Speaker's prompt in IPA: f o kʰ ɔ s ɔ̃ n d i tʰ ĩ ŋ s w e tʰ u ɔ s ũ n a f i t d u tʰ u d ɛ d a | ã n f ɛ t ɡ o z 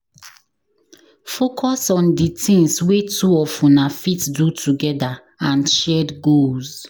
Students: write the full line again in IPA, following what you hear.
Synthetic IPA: f o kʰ ɔ s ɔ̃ n d i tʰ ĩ ŋ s w e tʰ u ɔ f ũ n a f i t d u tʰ u ɡ ɛ d a | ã n ʃ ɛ d ɡ o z